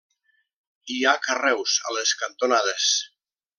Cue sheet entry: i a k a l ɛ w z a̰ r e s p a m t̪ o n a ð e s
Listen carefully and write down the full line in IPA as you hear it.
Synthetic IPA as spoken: i a k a r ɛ w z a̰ l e s k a n t̪ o n a ð e s